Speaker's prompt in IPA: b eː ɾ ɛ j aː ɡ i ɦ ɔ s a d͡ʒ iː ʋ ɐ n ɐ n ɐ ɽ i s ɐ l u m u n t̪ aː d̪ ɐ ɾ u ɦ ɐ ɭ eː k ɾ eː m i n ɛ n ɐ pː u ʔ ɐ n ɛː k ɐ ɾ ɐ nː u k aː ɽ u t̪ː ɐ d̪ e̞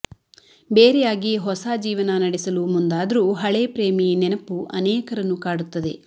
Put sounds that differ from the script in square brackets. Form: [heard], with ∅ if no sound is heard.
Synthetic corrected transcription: b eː ɾ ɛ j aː ɡ i ɦ ɔ s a d͡ʒ iː ʋ ɐ n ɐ n ɐ ɽ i s ɐ l u m u n [d̪] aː d̪ ɐ ɾ u ɦ ɐ ɭ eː [p] ɾ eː m i n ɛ n ɐ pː u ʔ ɐ n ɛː k ɐ ɾ ɐ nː u k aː ɽ u t̪ː ɐ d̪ e̞

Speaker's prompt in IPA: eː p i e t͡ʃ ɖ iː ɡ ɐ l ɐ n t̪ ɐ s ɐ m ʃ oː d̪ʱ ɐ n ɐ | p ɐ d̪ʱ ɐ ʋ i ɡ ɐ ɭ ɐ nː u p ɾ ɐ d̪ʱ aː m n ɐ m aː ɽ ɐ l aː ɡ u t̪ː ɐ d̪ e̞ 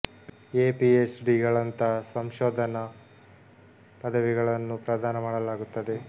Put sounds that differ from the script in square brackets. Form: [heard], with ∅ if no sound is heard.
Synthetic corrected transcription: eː p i e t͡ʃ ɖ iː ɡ ɐ [ɭ] ɐ n t̪ ɐ s ɐ m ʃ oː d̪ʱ ɐ n ɐ | p ɐ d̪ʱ ɐ ʋ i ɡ ɐ ɭ ɐ nː u p ɾ ɐ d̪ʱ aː [∅] n ɐ m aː ɽ ɐ l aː ɡ u t̪ː ɐ d̪ e̞

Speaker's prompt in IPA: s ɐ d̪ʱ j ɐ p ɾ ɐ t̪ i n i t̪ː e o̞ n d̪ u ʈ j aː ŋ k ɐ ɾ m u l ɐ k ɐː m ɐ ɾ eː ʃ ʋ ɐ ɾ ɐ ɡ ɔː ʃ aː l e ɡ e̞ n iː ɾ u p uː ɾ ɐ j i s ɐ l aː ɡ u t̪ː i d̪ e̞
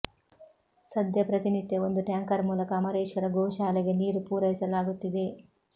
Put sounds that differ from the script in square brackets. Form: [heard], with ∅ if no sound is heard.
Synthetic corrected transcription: s ɐ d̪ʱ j ɐ p ɾ ɐ t̪ i n i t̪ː e o̞ n d̪ u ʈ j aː ŋ k ɐ ɾ m [uː] l ɐ k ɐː m ɐ ɾ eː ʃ ʋ ɐ ɾ ɐ ɡ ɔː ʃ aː l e ɡ e̞ n iː ɾ u p uː ɾ ɐ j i s ɐ l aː ɡ u t̪ː i d̪ e̞

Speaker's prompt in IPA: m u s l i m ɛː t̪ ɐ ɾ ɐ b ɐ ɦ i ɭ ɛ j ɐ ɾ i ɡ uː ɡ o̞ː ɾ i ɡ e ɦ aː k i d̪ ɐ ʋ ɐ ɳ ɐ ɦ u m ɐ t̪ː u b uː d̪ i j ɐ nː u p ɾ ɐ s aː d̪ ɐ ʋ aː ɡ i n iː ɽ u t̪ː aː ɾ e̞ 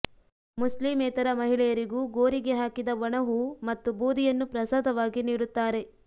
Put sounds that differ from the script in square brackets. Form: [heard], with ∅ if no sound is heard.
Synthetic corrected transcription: m u s l i m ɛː t̪ ɐ ɾ ɐ [m] ɐ ɦ i ɭ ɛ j ɐ ɾ i ɡ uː ɡ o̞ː ɾ i ɡ e ɦ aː k i d̪ ɐ ʋ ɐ ɳ ɐ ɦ u m ɐ t̪ː u b uː d̪ i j ɐ nː u p ɾ ɐ s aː d̪ ɐ ʋ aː ɡ i n iː ɽ u t̪ː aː ɾ e̞

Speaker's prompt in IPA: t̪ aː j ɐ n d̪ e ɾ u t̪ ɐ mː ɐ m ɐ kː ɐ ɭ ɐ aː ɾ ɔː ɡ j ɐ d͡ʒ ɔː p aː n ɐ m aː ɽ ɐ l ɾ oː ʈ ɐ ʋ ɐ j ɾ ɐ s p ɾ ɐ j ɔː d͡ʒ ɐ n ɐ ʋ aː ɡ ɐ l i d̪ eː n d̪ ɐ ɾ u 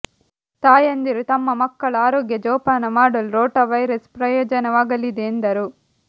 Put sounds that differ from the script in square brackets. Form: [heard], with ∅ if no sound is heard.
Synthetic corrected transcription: t̪ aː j ɐ n d̪ [i] ɾ u t̪ ɐ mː ɐ m ɐ kː ɐ ɭ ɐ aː ɾ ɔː ɡ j ɐ d͡ʒ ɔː p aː n ɐ m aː ɽ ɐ l ɾ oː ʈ ɐ ʋ ɐ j ɾ ɐ s p ɾ ɐ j ɔː d͡ʒ ɐ n ɐ ʋ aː ɡ ɐ l i d̪ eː n d̪ ɐ ɾ u

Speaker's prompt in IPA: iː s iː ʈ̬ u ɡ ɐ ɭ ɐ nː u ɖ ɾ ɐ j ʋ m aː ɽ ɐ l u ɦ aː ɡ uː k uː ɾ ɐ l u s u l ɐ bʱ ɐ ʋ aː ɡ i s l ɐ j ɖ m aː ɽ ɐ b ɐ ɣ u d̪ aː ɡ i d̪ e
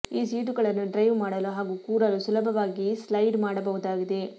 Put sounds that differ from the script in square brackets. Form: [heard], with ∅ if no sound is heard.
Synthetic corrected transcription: iː s iː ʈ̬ u ɡ ɐ ɭ ɐ nː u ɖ ɾ ɐ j ʋ m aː ɽ ɐ l u ɦ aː ɡ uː k uː ɾ ɐ l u s u l ɐ bʱ ɐ ʋ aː ɡ i s l ɐ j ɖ m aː ɽ ɐ b ɐ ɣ u d̪ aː ɡ i d̪ e

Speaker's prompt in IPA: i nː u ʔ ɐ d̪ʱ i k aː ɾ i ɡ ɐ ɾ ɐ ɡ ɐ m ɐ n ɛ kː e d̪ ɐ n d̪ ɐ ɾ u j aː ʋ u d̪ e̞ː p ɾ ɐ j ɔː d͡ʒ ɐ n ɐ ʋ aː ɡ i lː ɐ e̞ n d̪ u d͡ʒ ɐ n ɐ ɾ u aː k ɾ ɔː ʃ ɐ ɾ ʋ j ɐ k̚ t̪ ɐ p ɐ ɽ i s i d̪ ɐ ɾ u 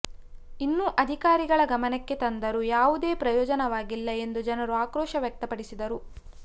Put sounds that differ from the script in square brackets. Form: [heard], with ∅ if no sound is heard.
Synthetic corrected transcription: i nː u ʔ ɐ d̪ʱ i k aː ɾ i ɡ ɐ [ɭ] ɐ ɡ ɐ m ɐ n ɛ kː e [t̪] ɐ n d̪ ɐ ɾ u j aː ʋ u d̪ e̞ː p ɾ ɐ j ɔː d͡ʒ ɐ n ɐ ʋ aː ɡ i lː ɐ e̞ n d̪ u d͡ʒ ɐ n ɐ ɾ u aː k ɾ ɔː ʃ ɐ [∅] ʋ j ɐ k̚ t̪ ɐ p ɐ ɽ i s i d̪ ɐ ɾ u

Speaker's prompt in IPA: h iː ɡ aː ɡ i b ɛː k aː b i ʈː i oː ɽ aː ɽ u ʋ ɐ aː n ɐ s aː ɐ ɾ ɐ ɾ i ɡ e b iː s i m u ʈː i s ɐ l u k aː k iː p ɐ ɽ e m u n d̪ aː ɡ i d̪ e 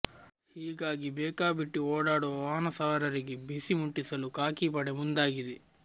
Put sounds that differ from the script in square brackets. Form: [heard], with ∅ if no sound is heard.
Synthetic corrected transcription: h iː ɡ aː ɡ i b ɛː k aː b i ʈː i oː ɽ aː ɽ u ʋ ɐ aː n ɐ s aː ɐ ɾ ɐ ɾ i ɡ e b [i] s i m u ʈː i s ɐ l u k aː k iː p ɐ ɽ e m u n d̪ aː ɡ i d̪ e

